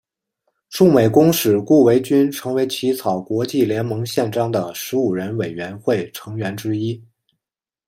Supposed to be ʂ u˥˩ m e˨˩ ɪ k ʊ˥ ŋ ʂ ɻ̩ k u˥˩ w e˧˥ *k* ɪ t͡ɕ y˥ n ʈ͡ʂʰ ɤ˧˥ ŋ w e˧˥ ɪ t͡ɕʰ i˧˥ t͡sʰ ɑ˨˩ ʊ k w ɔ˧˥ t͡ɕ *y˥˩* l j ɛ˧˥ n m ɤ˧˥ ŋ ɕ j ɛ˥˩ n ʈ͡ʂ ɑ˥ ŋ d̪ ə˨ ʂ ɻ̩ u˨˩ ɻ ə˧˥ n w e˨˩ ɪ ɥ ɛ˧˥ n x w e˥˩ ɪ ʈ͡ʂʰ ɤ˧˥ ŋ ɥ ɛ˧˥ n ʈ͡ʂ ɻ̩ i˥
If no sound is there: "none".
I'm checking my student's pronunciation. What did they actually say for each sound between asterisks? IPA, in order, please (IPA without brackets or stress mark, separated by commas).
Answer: none, i˥˩